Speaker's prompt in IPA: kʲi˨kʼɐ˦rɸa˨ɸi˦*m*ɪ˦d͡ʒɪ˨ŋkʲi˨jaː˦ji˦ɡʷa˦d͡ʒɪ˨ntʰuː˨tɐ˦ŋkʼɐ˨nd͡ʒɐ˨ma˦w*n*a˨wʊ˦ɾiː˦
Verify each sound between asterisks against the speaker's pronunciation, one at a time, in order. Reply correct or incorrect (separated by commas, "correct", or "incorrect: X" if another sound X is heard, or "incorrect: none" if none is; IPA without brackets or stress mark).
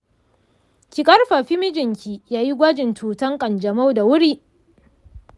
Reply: correct, incorrect: d